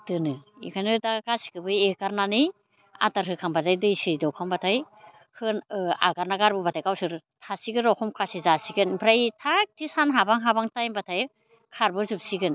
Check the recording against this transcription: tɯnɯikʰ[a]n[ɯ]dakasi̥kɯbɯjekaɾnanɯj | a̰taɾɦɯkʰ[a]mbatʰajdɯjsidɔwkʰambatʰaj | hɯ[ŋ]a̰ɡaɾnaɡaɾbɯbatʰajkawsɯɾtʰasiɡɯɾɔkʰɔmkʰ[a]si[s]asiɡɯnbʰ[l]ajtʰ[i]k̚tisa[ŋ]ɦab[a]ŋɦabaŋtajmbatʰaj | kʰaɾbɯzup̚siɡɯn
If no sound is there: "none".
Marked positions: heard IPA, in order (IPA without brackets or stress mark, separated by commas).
a, ɯ, a, n, a, z, ɾ, a, n, a